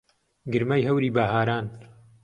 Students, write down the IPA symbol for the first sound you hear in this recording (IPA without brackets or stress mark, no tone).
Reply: ɡ